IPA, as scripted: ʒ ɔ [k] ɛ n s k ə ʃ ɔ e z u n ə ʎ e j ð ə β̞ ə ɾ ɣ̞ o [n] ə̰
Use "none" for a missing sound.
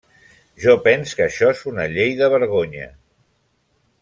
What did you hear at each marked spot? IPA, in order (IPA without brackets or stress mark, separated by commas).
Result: p, ɲ